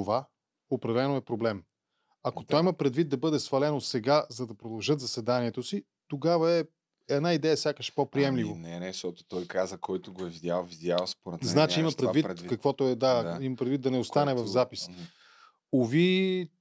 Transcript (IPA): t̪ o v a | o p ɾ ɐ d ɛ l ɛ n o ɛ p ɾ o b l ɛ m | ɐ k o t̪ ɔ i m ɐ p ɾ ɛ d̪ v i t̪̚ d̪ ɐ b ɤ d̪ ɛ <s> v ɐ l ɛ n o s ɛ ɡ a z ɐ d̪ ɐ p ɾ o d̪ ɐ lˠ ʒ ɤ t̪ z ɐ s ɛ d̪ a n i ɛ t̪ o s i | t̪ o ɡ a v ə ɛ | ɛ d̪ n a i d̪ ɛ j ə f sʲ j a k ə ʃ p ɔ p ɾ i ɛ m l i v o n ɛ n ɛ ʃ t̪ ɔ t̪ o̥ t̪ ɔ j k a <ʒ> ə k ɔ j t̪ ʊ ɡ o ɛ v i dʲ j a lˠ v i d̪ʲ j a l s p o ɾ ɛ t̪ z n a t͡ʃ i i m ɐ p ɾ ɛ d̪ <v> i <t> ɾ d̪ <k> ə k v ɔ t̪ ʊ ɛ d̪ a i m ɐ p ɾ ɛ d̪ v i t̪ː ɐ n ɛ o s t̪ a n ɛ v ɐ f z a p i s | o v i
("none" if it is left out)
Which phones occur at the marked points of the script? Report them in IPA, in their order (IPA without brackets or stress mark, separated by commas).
s, z, v, t, k